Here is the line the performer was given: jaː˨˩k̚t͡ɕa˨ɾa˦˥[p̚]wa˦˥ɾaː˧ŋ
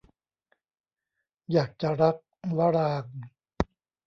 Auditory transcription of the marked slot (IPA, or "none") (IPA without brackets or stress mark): k̚